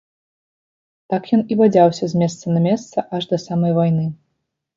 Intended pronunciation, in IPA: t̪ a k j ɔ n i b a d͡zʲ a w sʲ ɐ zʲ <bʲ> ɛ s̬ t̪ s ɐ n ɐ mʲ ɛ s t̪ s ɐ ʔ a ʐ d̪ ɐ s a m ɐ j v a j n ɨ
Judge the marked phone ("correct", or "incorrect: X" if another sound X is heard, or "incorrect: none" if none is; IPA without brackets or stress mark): incorrect: mʲ